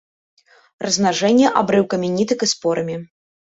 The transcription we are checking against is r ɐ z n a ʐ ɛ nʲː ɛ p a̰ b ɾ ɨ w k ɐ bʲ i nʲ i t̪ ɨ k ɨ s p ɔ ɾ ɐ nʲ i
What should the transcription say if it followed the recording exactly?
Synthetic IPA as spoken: r ɐ z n a ʐ ɛ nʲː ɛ ʔ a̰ b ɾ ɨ w k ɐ mʲ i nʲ i t̪ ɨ k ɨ s p ɔ ɾ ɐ mʲ i